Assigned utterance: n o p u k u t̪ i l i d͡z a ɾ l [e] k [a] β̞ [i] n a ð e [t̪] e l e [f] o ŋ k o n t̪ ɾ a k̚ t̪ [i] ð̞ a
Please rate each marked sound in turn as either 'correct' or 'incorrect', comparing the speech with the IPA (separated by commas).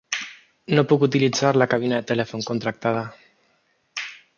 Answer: incorrect, correct, correct, correct, correct, incorrect